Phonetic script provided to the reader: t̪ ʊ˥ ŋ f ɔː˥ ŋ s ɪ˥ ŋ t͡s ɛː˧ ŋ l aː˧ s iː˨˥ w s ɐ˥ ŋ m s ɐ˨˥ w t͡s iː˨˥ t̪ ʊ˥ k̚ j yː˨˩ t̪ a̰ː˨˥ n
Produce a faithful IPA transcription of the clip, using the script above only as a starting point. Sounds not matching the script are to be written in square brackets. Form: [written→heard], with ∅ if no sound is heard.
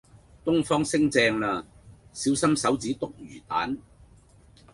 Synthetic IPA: t̪ ʊ˥ ŋ f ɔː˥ ŋ s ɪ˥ ŋ t͡s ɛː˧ ŋ l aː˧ s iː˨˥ w s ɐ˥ [ŋ→∅] m s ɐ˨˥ w t͡s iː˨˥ t̪ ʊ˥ k̚ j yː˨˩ t̪ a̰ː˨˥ n